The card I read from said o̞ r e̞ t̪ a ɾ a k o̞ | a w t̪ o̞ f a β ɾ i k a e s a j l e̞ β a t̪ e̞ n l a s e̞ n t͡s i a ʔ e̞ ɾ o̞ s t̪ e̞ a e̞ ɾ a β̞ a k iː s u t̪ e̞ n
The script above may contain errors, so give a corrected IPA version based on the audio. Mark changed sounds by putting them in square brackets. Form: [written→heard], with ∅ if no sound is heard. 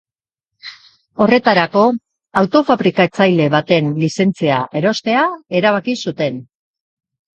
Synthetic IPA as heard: o̞ r e̞ t̪ a ɾ a k o̞ | a w t̪ o̞ f a β ɾ i k a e [s→t͡s] a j l e̞ β a t̪ e̞ n l [a→i] s e̞ n t͡s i a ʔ e̞ ɾ o̞ s t̪ e̞ a e̞ ɾ a β̞ a k [iː→i] s u t̪ e̞ n

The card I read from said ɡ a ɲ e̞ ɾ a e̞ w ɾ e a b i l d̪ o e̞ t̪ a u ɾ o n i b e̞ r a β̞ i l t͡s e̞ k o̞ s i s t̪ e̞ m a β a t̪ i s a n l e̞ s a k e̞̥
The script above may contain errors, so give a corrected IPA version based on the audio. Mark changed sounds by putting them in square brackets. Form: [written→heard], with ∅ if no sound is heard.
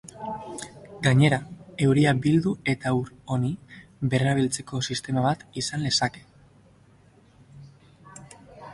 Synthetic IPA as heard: ɡ a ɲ e̞ ɾ a e̞ w ɾ [e→i] a b i l d̪ [o→u] e̞ t̪ a u ɾ o n i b e̞ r a β̞ i l t͡s e̞ k o̞ s i s t̪ e̞ m a β a t̪ i s a n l e̞ s a k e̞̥

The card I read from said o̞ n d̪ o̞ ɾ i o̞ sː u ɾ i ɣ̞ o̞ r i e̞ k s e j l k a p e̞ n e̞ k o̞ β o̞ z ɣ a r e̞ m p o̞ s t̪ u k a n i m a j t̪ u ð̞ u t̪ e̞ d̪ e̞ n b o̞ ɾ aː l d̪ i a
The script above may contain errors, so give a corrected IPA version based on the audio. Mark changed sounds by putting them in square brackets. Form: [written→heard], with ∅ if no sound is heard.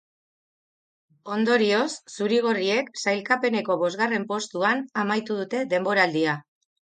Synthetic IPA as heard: o̞ n d̪ o̞ ɾ i o̞ sː u ɾ i ɣ̞ o̞ r i e̞ k s [e→a] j l k a p e̞ n e̞ k o̞ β o̞ z ɣ a r e̞ m p o̞ s t̪ u [k→∅] a n [i→a] m a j t̪ u ð̞ u t̪ e̞ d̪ e̞ [n→m] b o̞ ɾ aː l d̪ i a

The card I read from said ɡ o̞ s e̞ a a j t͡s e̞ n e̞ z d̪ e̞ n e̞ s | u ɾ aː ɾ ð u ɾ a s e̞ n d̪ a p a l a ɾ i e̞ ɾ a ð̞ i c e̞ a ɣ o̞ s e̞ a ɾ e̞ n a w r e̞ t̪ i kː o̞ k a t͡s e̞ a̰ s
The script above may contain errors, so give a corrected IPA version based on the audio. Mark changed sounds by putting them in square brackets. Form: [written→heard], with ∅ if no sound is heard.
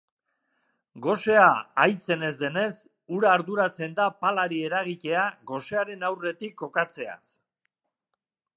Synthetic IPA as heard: ɡ o̞ s e̞ a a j t͡s e̞ n e̞ z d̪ e̞ n e̞ s | u ɾ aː ɾ ð u ɾ a [s→t͡s] e̞ n d̪ a p a l a ɾ i e̞ ɾ a [ð̞→ɣ̞] i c e̞ a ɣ o̞ s e̞ a ɾ e̞ n a w r e̞ t̪ i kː o̞ k a t͡s e̞ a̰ s

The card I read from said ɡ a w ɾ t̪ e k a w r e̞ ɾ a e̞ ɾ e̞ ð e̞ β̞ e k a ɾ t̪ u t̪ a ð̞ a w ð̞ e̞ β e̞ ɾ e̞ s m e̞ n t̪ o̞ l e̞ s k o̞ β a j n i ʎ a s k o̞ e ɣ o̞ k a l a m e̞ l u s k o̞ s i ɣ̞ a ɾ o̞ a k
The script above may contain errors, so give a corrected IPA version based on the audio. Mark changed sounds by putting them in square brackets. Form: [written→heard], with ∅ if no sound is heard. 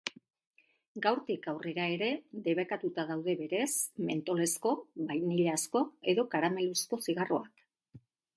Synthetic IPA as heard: ɡ a w ɾ t̪ [e→i] k a w r e̞ ɾ a e̞ ɾ e̞ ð e̞ β̞ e k a [ɾ→∅] t̪ u t̪ a ð̞ a w ð̞ e̞ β e̞ ɾ e̞ s m e̞ n t̪ o̞ l e̞ s k o̞ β a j n i ʎ a s k o̞ e [ɣ→ð] o̞ k a [l→ɾ] a m e̞ l u s k o̞ s i ɣ̞ a [ɾ→r] o̞ a k

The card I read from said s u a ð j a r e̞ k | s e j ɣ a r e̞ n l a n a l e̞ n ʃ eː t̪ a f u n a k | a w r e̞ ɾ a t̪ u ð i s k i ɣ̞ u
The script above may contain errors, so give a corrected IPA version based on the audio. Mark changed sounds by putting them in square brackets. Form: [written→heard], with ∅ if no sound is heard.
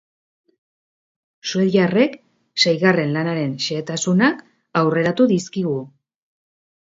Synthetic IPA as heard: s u [a→e] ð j a r e̞ k | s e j ɣ a r e̞ n l a n a [l→ɾ] e̞ n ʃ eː t̪ a [f→s] u n a k | a w r e̞ ɾ a t̪ u ð i s k i ɣ̞ u

